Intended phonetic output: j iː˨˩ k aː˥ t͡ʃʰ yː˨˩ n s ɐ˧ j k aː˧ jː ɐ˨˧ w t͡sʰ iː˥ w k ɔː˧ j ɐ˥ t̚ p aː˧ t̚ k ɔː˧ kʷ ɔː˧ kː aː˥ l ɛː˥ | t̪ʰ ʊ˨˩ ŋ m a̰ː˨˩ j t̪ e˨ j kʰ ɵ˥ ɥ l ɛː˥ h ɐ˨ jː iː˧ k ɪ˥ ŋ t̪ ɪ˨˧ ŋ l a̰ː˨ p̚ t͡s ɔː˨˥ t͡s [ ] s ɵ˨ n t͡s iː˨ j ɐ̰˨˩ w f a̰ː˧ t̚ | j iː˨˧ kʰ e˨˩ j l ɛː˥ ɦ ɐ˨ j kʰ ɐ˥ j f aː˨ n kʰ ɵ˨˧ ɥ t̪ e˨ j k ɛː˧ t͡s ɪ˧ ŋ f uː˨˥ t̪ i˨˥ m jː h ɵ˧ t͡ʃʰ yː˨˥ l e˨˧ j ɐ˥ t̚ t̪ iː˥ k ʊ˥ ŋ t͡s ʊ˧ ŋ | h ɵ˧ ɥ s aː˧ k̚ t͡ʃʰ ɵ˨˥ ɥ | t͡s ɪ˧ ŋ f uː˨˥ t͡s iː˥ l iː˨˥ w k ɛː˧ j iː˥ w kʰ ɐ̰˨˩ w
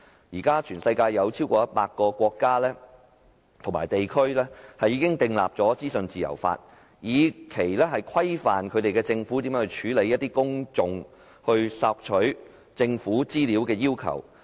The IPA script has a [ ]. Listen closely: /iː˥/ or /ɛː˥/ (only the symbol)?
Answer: iː˥